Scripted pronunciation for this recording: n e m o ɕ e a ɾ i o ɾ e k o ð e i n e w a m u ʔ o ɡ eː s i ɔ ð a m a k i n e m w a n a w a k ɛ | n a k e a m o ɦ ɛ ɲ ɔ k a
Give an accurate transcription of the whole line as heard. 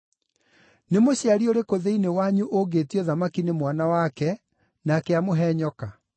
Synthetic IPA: n e m o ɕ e a ɾ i o ɾ e k o ð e i n e w a ɲ u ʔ o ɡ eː t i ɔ ð a m a k i n e m w a n a w a k ɛ | n a k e a m o ɦ ɛ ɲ ɔ k a